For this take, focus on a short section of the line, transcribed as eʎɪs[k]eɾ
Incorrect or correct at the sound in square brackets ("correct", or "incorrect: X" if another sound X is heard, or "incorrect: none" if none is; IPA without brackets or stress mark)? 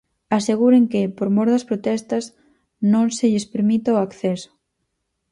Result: incorrect: p